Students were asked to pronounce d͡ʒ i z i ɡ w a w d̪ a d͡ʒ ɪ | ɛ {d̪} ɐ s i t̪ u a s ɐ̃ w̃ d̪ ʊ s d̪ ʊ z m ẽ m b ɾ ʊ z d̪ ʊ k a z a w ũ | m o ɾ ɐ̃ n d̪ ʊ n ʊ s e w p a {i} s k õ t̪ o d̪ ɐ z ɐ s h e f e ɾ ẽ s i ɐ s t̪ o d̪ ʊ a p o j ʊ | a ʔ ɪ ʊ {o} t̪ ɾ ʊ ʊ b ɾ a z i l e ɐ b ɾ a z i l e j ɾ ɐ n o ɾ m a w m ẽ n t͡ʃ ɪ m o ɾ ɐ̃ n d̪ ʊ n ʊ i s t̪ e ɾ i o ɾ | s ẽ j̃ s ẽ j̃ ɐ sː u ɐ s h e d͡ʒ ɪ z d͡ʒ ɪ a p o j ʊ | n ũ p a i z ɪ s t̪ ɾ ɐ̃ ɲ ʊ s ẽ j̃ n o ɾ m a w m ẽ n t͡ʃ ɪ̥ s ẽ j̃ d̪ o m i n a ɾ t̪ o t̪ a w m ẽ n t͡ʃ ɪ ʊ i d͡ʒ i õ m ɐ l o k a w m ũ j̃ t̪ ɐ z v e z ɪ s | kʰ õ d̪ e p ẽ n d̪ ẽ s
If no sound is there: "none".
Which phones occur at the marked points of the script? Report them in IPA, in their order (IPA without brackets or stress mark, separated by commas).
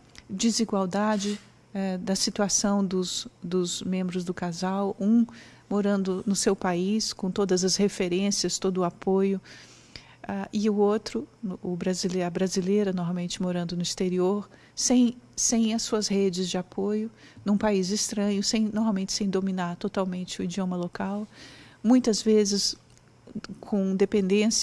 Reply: d̪, i, o